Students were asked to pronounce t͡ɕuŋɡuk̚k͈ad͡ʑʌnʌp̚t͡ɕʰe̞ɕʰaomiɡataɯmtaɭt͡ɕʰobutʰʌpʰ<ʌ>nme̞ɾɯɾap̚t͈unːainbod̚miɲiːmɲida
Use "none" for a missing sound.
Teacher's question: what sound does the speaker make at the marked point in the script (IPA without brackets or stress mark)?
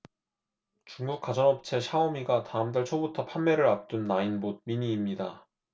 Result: a